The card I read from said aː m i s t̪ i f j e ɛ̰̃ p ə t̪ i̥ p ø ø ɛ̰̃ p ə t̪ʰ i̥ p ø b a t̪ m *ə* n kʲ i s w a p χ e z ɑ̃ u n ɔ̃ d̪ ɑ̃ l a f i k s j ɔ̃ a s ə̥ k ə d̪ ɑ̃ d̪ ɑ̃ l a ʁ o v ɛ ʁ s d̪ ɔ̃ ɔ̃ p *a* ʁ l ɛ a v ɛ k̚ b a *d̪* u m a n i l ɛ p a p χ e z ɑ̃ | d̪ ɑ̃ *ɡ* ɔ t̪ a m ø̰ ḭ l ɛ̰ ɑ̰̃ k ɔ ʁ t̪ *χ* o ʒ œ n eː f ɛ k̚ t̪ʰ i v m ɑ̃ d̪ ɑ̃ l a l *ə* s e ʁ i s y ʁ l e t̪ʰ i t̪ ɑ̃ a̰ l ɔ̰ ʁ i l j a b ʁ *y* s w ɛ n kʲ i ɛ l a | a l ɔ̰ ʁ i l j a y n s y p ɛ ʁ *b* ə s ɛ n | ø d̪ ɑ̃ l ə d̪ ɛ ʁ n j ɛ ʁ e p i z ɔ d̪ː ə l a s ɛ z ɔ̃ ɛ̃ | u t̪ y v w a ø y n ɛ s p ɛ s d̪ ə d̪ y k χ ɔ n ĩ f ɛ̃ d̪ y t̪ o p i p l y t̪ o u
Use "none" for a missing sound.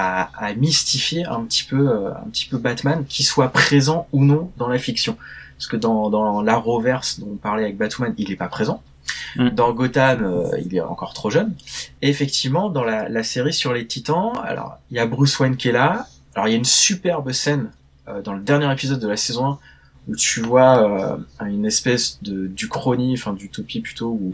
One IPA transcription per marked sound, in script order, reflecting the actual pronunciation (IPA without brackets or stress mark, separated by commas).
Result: a, a, t̪, ɡ, χ, a, y, b